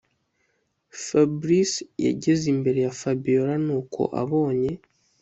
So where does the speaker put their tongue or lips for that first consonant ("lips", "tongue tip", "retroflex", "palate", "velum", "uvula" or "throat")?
lips